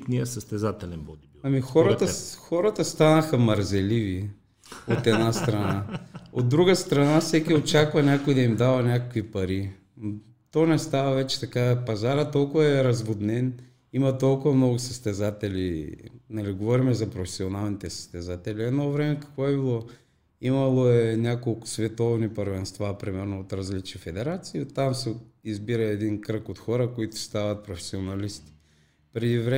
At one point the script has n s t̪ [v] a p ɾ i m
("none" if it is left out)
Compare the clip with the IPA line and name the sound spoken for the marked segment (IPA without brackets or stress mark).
v